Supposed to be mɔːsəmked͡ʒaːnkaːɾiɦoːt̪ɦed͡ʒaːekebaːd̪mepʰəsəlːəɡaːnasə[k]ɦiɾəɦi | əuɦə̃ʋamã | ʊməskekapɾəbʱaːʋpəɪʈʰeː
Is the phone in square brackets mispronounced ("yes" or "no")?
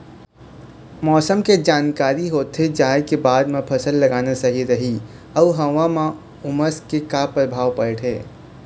yes